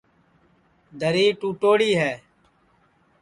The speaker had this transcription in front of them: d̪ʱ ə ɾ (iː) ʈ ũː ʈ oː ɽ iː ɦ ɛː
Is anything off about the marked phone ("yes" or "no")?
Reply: no